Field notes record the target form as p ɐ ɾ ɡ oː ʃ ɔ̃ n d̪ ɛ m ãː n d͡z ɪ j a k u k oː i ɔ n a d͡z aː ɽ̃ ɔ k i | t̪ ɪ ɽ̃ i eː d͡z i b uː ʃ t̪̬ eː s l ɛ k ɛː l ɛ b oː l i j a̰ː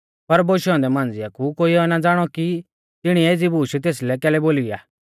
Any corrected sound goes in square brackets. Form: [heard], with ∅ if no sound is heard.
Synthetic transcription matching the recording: p ɐ ɾ [b] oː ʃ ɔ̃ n d̪ ɛ m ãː n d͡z ɪ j a k u k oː i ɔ n a d͡z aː ɽ̃ ɔ k i | t̪ ɪ ɽ̃ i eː d͡z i b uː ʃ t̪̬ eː s l ɛ k ɛː l ɛ b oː l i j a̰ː